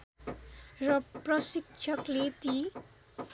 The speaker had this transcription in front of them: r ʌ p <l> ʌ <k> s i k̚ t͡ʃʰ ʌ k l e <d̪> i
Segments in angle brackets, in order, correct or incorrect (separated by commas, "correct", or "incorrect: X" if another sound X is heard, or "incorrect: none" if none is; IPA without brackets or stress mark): incorrect: r, incorrect: none, incorrect: t̪